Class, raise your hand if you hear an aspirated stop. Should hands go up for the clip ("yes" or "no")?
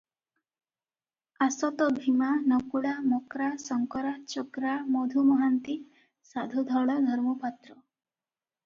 no